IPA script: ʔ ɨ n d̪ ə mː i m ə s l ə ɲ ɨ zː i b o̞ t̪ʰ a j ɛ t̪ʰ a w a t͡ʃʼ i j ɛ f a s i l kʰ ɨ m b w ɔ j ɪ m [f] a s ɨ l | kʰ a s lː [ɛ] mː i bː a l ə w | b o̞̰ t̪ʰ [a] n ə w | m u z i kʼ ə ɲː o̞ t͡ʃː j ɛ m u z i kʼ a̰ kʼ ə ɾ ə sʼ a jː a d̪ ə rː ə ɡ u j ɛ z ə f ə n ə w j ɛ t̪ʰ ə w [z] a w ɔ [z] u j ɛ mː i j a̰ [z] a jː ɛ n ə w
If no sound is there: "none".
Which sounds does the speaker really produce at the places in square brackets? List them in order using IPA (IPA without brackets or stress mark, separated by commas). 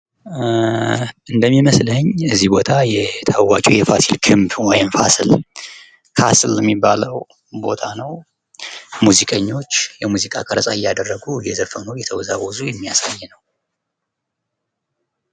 f, ɛ, a, z, z, s